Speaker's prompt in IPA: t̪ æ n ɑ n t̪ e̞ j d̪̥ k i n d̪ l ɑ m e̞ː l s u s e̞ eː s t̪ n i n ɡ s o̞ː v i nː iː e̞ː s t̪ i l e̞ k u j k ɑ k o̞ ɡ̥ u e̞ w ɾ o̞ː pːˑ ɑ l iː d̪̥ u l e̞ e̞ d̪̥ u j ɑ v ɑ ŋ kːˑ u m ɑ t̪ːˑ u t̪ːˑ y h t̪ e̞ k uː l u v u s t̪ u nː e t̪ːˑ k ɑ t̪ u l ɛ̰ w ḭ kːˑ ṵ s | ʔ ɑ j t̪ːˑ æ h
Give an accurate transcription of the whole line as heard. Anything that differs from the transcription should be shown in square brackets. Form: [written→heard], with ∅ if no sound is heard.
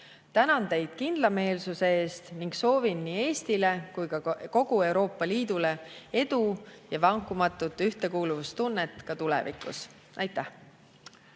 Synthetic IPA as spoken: t̪ æ n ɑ n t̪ e̞ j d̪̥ k i n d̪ l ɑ m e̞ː l s u s e̞ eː s t̪ n i [n→ŋ] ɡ s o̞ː v i nː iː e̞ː s t̪ i l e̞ k u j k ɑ k o̞ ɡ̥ u e̞ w ɾ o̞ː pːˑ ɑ l iː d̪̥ u l e̞ e̞ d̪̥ u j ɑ v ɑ ŋ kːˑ u m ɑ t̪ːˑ u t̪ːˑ y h t̪ e̞ k uː l u v u s t̪ u nː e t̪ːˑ k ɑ t̪ u l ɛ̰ [w→v] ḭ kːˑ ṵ s | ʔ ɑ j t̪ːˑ æ h

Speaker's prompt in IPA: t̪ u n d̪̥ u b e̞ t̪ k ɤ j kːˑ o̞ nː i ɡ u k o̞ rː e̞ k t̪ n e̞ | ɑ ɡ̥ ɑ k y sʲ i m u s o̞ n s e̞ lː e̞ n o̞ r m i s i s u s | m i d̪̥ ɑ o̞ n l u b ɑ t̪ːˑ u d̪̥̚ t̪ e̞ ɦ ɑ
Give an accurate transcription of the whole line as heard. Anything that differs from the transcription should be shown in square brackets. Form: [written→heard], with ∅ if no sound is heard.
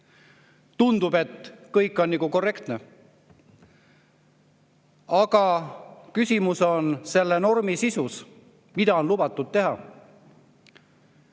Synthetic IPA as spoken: t̪ u n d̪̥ u b e̞ t̪ k ɤ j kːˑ o̞ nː i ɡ u k o̞ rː e̞ k t̪ n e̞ | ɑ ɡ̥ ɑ k y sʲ i m u s o̞ n s e̞ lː e̞ n o̞ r m i s i s u s | m i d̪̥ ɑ o̞ n l u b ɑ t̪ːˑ u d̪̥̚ t̪ e̞ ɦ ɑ

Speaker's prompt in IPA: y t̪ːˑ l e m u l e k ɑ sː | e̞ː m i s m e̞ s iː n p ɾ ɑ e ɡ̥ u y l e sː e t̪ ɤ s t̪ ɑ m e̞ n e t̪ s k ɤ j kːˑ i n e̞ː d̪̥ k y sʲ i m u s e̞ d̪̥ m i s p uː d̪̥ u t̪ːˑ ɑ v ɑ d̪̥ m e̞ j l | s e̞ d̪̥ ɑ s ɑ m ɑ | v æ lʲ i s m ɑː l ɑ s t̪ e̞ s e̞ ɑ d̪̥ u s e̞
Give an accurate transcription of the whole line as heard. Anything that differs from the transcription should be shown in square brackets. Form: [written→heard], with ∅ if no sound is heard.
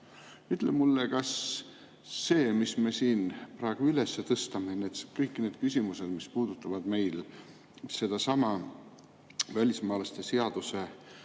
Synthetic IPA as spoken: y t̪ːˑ l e m u [l→lː] e k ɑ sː | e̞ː m i s m e̞ s iː n p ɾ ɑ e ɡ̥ u y l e sː e t̪ ɤ s t̪ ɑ m e̞ n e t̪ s k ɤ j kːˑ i n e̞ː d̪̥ k y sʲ i m u s e̞ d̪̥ m i s p uː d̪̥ u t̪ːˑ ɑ v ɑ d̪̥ m e̞ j l | s e̞ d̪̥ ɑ s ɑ m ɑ | v æ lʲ i s m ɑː l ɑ s t̪ e̞ s e̞ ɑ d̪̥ u s e̞

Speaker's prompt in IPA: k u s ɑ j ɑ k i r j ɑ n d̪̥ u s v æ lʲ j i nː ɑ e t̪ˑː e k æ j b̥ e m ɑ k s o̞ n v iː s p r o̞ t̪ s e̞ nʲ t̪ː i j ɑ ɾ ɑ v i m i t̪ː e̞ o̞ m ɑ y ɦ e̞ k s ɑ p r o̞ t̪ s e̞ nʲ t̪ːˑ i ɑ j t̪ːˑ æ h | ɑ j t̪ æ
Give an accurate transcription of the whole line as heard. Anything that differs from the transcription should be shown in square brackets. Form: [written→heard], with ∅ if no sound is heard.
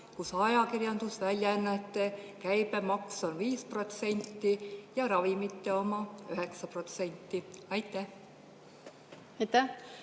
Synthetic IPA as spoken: k u s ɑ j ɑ k i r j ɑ n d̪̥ u s v æ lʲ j [i→æ] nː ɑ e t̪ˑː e k æ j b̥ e m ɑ k s o̞ n v iː s p r o̞ t̪ s e̞ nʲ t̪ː i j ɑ ɾ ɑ v i m i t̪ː e̞ o̞ m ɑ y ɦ e̞ k s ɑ p r o̞ t̪ s e̞ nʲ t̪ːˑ i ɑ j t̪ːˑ æ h | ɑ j t̪ æ

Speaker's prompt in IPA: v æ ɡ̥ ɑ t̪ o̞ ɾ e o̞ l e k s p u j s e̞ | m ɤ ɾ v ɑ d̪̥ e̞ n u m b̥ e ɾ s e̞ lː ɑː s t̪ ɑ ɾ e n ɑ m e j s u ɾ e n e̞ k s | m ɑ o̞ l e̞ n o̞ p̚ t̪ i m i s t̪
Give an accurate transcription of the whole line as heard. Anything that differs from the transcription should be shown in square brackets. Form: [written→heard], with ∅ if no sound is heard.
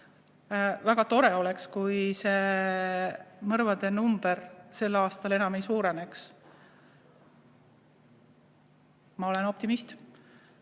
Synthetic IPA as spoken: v æ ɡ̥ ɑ t̪ o̞ ɾ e o̞ l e k s [p→k] u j s e̞ | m ɤ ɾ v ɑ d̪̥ e̞ n u m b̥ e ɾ s e̞ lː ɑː s t̪ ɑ [ɾ→l] e n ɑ m e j s [u→uː] ɾ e n e̞ k s | m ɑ o̞ l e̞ n o̞ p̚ t̪ i m i s t̪

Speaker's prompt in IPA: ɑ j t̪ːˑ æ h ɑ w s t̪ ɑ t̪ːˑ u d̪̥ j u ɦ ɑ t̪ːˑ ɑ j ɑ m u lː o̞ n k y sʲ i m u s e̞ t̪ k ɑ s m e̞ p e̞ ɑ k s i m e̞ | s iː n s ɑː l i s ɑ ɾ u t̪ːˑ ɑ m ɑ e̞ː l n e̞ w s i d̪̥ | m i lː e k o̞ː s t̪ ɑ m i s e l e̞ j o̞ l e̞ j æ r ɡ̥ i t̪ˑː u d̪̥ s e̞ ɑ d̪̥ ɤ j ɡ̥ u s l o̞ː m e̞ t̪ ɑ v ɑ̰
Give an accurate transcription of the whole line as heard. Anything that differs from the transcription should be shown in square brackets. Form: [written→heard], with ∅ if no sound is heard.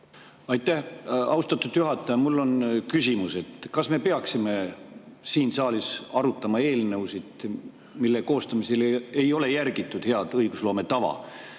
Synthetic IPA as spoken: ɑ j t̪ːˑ æ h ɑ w s t̪ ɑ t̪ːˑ u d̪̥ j u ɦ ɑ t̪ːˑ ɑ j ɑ m u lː o̞ n k y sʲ i m u s e̞ t̪ k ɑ s m e̞ p e̞ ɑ k s i m e̞ | s iː n s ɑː l i s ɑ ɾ u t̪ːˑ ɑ m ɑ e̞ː l n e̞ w s i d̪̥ | m i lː e k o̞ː s t̪ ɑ m i s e l e̞ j o̞ l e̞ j æ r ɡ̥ i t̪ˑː u d̪̥ [s→h] e̞ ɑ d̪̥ ɤ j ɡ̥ u s l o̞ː m e̞ t̪ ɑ v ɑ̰

